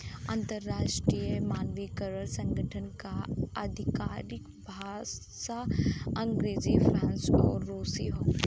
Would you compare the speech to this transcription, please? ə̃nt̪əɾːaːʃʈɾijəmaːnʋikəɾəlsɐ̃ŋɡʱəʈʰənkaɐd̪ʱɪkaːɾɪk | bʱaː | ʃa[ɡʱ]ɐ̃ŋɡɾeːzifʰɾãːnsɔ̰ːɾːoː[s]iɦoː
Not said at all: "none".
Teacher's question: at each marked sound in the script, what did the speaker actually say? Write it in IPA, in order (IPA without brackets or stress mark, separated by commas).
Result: none, s